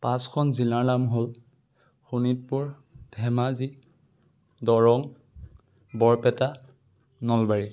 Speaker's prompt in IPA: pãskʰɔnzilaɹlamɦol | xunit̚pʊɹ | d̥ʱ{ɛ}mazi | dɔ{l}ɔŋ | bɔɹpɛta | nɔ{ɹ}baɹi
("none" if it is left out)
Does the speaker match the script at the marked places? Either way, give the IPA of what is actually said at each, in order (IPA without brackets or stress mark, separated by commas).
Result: ɛ, ɹ, l